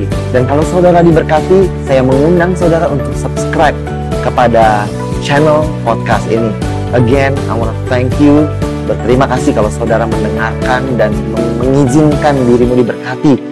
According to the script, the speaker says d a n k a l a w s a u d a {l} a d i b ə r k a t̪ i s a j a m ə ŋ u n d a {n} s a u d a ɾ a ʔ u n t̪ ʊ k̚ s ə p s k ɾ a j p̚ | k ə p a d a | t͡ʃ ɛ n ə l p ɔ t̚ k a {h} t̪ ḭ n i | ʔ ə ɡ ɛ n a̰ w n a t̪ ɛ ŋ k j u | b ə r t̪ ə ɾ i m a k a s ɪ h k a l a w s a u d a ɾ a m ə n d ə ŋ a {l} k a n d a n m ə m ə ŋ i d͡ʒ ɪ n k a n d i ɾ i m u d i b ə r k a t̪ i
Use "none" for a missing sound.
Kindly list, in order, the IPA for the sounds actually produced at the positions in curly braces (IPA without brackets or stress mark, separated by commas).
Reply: ɾ, ŋ, s, r